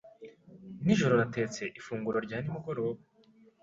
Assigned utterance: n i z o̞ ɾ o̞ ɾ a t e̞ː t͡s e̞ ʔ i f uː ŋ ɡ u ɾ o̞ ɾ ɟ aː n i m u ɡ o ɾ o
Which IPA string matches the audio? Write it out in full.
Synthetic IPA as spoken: n i ʒ o̞ ɾ o̞ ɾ a t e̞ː t͡s e̞ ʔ i f uː ŋ ɡ u ɾ o̞ ɾ ɟ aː n i m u ɡ o ɾ o

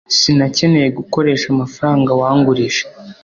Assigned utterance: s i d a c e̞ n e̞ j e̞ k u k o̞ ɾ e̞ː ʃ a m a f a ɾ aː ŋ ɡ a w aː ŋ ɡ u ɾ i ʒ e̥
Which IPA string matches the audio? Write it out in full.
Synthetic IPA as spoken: s i n a c e̞ n e̞ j e̞ ɡ u k o̞ ɾ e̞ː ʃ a m a f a ɾ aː ŋ ɡ a w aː ŋ ɡ u ɾ i ʃ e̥

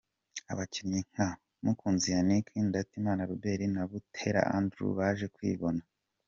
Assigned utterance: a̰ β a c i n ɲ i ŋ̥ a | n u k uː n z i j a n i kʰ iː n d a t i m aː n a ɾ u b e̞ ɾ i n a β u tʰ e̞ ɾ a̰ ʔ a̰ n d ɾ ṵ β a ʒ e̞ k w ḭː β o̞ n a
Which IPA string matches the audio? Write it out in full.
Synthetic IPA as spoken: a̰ β a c i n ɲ i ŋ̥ a | m u k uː n z i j a n i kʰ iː n d a t i m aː n a ɾ u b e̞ ɾ i n a β u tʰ e̞ ɾ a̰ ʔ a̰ n d ɾ ṵ β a ʒ e̞ k w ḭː β o̞ n a

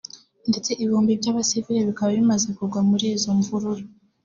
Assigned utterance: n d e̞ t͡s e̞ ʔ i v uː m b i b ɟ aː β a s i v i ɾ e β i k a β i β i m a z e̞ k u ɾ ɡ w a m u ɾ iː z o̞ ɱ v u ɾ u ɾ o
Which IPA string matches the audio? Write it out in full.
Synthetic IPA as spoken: n d e̞ t͡s e̞ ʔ i β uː m b i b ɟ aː β a s i v i ɾ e β i k a β a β i m a z e̞ k u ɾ ɡ w a m u ɾ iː z o̞ ɱ v u ɾ u ɾ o

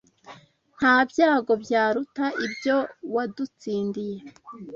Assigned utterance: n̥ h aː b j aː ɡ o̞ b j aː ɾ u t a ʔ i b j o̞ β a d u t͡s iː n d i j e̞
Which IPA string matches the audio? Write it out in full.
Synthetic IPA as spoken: n̥ h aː b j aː ɡ o̞ b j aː ɾ u t a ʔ i b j o̞ w a d u t͡s iː n d i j e̞

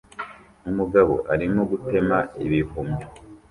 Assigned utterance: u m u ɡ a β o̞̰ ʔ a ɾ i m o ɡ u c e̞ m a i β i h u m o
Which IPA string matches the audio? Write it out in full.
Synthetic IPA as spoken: u m u ɡ a β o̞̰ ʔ a ɾ i m o ɡ u t e̞ m a i β i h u m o

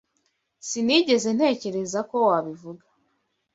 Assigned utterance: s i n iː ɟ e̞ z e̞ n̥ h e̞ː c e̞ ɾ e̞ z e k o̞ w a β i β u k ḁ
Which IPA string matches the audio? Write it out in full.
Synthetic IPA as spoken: s i n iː ɟ e̞ z e̞ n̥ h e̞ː c e̞ ɾ e̞ z a k o̞ w a β i v u ɡ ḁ

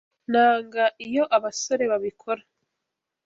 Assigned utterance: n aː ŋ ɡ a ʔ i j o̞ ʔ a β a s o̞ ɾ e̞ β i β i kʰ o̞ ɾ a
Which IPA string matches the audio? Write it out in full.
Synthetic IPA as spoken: n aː ŋ ɡ a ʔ i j o̞ ʔ a β a s o̞ ɾ e̞ β a β i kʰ o̞ ɾ a

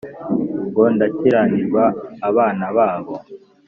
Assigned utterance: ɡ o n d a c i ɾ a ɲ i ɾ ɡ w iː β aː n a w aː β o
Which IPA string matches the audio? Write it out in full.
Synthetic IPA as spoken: ɡ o n d a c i ɾ a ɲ i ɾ ɡ w aː β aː n a β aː β o

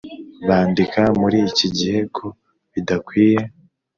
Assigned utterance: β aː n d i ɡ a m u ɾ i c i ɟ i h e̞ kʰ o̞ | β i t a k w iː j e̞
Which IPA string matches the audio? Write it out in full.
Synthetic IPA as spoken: β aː n d i k a m u ɾ i c i ɟ i h e̞ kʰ o̞ | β i d a k w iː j e̞

